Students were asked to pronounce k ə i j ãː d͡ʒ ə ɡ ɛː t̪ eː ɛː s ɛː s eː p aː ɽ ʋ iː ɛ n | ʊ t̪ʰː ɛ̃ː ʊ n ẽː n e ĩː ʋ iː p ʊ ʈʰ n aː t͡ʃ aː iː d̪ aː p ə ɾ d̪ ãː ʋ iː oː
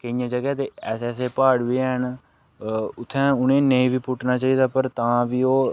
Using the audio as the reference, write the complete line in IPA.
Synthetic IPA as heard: k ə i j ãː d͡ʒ ə ɡ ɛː t̪ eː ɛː s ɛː s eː p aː ɽ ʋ iː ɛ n | ʊ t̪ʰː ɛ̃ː ʊ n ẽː n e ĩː ʋ iː p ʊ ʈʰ n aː t͡ʃ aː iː d̪ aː p ə ɾ t̪ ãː ʋ iː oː